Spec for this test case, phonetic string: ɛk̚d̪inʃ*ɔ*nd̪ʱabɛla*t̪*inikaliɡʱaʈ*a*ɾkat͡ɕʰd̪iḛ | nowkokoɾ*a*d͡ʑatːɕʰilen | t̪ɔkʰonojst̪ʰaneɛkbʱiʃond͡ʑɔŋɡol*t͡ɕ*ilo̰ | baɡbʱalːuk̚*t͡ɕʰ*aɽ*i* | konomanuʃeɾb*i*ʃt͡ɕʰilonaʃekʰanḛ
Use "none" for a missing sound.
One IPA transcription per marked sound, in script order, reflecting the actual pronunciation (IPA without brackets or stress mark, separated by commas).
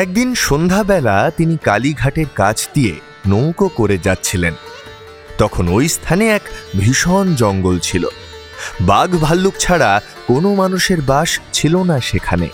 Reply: o, t̪, e, e, t͡ɕʰ, t͡ɕʰ, a, a